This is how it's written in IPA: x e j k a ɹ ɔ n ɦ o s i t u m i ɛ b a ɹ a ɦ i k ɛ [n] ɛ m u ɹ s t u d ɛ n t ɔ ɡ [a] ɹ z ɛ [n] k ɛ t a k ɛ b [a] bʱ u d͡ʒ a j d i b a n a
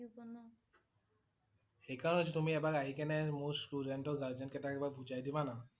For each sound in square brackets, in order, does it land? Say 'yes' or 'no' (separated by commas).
yes, yes, yes, yes